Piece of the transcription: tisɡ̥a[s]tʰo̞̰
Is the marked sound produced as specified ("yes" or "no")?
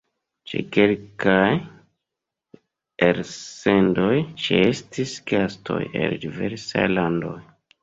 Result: yes